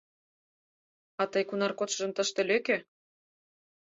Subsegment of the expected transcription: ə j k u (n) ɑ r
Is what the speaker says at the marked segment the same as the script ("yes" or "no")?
yes